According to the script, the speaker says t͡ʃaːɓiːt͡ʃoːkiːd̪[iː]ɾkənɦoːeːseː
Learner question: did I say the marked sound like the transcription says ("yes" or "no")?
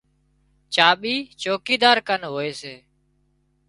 no